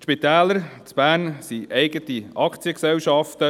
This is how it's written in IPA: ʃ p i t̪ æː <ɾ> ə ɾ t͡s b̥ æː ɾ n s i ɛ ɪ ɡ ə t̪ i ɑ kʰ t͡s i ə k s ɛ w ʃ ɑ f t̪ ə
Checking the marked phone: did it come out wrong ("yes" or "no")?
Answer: yes